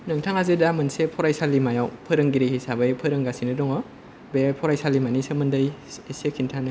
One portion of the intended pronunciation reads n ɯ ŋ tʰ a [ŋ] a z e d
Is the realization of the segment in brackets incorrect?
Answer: no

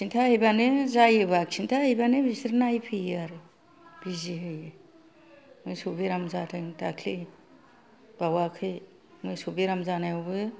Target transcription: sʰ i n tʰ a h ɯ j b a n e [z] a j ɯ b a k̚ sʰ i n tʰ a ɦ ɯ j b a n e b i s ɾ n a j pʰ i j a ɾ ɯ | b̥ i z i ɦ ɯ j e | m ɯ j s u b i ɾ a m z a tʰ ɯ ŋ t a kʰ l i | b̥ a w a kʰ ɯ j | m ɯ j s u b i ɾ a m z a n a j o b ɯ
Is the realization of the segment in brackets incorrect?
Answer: no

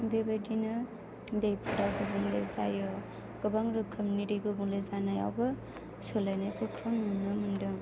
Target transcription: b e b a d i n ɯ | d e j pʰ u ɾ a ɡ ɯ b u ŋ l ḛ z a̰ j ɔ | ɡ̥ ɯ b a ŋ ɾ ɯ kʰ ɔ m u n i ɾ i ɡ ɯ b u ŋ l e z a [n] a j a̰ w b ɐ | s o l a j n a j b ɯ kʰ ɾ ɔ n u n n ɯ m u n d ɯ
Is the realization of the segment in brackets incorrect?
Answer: no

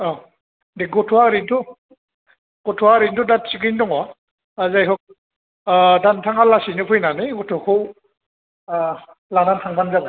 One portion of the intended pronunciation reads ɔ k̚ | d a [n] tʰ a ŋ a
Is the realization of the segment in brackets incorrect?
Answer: no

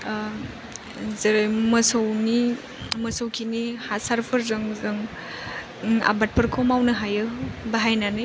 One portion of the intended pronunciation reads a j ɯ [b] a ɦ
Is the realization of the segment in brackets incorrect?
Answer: no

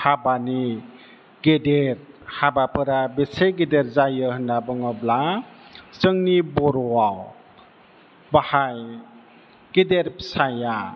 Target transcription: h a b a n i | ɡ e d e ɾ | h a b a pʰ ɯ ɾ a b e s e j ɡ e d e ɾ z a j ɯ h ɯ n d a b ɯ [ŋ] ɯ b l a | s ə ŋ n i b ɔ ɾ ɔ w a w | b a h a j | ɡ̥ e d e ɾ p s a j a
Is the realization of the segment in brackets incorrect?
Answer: no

